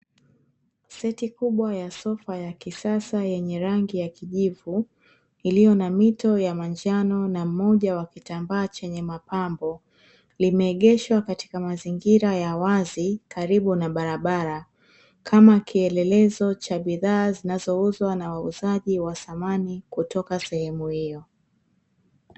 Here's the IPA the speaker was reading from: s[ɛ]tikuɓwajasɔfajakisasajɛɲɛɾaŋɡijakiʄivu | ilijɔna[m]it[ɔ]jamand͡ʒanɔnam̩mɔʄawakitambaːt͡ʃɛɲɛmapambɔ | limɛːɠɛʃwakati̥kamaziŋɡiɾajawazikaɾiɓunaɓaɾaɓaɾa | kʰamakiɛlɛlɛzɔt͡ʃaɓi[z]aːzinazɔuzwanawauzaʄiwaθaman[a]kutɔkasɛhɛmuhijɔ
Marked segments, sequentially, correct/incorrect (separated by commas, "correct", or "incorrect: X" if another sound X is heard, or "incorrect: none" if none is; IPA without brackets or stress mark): correct, correct, correct, incorrect: ð, incorrect: i